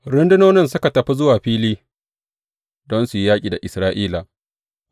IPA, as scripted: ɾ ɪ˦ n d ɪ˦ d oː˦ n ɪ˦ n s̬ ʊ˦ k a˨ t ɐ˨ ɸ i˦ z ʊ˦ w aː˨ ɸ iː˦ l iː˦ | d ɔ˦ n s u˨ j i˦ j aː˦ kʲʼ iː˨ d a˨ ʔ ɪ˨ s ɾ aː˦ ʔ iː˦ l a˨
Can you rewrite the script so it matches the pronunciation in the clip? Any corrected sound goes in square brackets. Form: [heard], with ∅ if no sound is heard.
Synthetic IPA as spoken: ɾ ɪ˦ n d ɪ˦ [n] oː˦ n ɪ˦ n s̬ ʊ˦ k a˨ t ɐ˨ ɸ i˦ z ʊ˦ w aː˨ ɸ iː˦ l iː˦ | d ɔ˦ n s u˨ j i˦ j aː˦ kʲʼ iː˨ d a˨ ʔ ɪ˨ s ɾ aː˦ ʔ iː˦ l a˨